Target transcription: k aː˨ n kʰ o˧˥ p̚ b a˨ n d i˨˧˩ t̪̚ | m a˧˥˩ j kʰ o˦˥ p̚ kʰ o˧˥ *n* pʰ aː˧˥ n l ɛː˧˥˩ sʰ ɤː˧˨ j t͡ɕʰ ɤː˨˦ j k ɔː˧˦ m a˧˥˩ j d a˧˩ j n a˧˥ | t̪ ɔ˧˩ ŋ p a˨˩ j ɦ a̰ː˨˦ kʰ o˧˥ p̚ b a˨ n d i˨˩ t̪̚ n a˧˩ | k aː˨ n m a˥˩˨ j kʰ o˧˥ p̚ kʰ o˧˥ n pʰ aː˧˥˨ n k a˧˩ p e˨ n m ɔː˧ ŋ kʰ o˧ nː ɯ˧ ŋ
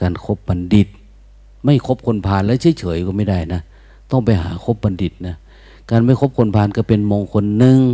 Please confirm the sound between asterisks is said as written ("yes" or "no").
yes